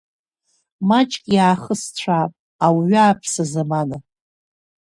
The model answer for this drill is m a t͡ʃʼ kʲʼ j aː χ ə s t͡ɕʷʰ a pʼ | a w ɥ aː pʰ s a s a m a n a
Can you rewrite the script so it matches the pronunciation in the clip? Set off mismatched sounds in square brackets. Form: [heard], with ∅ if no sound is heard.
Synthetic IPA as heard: m a t͡ʃʼ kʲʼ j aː χ ə s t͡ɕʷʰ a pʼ | a w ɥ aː pʰ s a [z] a m a n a